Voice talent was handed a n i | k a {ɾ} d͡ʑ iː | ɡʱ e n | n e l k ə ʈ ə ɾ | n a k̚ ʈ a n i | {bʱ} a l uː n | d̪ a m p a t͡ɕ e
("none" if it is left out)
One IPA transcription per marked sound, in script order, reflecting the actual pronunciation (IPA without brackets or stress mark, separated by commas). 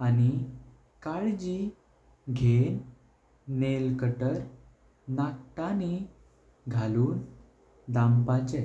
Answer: ɭ, ɡʱ